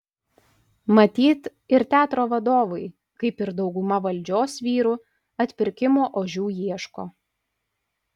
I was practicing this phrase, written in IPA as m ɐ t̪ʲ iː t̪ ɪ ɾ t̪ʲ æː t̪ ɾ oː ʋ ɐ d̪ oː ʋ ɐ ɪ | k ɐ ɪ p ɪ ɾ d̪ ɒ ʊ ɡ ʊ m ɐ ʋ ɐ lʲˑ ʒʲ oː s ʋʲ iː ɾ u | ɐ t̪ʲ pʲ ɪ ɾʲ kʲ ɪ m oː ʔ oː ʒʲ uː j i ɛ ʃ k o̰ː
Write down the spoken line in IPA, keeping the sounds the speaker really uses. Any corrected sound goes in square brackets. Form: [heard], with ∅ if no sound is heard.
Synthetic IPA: m ɐ t̪ʲ iː t̪ ɪ ɾ t̪ʲ æː t̪ ɾ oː ʋ ɐ d̪ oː ʋ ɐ ɪ | k ɐ ɪ p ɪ ɾ d̪ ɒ ʊ ɡ ʊ m ɐ ʋ ɐ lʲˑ [d͡ʒʲ] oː s ʋʲ iː ɾ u | ɐ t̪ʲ pʲ ɪ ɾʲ kʲ ɪ m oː ʔ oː ʒʲ uː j i ɛ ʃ k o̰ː

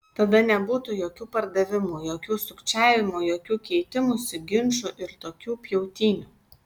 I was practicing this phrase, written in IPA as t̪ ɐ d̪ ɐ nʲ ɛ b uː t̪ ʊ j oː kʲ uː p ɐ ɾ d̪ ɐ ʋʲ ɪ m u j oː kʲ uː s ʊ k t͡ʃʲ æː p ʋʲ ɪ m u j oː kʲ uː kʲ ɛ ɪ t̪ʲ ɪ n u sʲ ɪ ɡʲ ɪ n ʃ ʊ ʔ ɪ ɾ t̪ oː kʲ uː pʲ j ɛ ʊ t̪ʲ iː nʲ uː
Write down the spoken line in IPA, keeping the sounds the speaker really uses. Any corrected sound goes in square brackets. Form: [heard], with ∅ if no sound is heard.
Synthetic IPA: t̪ ɐ d̪ ɐ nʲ ɛ b uː t̪ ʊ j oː kʲ uː p ɐ ɾ d̪ ɐ ʋʲ ɪ m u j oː kʲ uː s ʊ k t͡ʃʲ æː [∅] ʋʲ ɪ m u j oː kʲ uː kʲ ɛ ɪ t̪ʲ ɪ [m] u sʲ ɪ ɡʲ ɪ n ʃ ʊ ʔ ɪ ɾ t̪ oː kʲ uː pʲ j ɛ ʊ t̪ʲ iː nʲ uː

